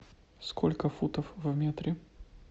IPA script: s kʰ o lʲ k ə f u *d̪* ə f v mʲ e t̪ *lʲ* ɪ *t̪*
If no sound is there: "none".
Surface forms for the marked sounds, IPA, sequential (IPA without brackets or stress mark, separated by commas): t̪, ɾʲ, none